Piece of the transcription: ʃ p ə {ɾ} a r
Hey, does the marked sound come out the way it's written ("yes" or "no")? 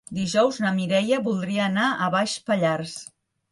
no